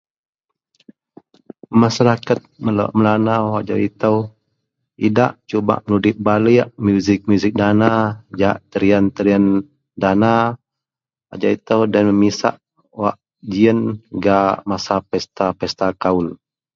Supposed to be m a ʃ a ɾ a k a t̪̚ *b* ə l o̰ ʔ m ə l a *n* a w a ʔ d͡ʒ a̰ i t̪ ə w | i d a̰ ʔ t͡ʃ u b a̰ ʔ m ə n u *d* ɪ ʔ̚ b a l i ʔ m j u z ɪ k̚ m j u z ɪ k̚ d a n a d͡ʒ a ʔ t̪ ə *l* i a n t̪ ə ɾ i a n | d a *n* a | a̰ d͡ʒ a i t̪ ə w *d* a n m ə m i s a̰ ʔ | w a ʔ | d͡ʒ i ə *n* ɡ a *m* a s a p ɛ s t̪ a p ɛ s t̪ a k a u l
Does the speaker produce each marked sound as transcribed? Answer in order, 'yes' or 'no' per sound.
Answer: no, yes, yes, no, yes, yes, yes, yes

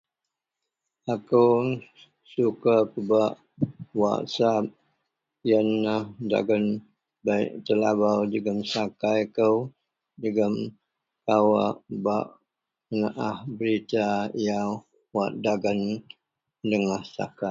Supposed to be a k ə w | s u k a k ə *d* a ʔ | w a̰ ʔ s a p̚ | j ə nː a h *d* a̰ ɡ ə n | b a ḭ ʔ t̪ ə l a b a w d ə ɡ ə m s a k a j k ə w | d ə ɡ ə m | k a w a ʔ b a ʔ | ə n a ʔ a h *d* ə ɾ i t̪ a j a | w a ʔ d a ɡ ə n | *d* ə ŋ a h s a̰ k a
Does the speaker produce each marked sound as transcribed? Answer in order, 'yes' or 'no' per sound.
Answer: no, yes, no, yes

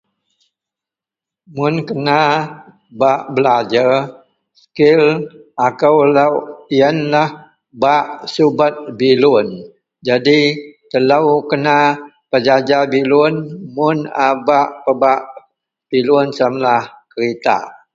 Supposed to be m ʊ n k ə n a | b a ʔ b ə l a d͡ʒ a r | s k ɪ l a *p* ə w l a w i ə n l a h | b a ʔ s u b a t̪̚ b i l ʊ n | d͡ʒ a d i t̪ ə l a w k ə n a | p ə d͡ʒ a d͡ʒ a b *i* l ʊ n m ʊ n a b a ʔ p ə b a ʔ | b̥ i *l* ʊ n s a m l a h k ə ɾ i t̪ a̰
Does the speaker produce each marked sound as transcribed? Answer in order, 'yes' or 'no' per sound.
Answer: no, yes, yes

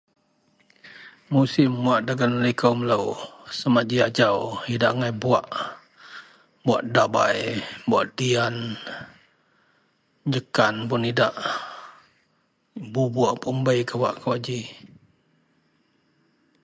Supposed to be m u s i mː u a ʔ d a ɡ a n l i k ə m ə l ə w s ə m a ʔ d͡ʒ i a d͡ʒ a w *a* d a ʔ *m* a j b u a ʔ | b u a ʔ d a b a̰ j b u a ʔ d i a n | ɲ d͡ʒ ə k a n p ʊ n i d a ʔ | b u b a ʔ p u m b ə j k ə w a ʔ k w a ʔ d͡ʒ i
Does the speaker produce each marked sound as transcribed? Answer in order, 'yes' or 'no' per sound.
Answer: no, no

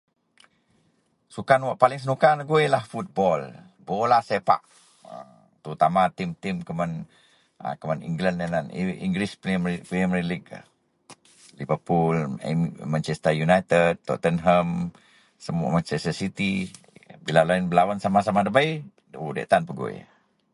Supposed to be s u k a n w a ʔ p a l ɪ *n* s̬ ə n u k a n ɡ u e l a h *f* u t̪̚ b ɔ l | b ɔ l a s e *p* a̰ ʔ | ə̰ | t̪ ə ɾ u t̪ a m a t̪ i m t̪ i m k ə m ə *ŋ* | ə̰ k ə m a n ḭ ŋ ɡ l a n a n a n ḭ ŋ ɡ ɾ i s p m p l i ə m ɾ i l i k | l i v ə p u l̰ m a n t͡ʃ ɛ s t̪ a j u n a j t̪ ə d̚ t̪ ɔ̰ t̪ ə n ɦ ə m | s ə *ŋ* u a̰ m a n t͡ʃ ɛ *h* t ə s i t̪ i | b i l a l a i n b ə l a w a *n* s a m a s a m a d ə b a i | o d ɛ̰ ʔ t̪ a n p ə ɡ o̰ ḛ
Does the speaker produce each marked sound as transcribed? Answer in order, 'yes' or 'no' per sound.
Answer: no, yes, yes, no, no, no, yes

